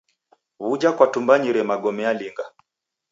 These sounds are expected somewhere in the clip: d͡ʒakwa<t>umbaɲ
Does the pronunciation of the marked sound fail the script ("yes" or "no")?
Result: no